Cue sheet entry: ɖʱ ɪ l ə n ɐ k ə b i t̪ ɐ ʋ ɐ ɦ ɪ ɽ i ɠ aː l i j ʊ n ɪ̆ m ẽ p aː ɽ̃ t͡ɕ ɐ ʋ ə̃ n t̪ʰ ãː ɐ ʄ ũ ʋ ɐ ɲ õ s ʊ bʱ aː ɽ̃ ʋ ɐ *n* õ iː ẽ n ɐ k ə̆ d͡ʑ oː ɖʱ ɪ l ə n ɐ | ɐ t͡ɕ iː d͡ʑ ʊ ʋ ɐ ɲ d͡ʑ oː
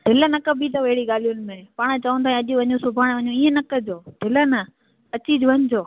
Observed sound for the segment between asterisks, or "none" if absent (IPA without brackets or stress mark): ɲ